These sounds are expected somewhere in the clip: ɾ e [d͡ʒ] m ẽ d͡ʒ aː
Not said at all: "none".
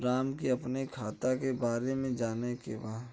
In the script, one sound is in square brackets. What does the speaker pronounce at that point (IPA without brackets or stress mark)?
none